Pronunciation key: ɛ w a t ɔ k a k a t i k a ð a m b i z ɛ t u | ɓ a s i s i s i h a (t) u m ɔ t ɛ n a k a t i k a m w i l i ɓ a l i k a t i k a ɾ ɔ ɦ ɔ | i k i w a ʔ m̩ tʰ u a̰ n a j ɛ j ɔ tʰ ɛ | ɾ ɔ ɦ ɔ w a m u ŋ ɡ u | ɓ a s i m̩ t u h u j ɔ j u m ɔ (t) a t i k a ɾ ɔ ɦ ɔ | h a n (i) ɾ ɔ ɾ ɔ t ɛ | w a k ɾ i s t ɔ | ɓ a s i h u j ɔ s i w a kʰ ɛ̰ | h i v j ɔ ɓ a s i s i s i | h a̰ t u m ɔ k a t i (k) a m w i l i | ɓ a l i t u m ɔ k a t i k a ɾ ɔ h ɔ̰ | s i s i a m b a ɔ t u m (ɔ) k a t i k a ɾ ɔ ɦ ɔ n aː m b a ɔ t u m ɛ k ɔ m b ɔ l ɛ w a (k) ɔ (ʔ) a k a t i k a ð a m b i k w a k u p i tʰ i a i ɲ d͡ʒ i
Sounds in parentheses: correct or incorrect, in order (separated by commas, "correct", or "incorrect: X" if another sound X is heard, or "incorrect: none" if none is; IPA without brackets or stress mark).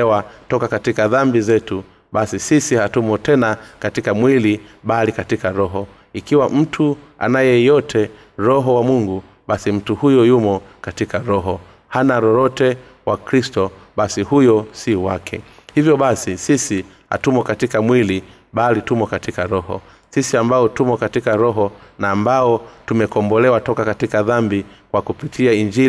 correct, incorrect: k, incorrect: a, correct, correct, incorrect: t, incorrect: k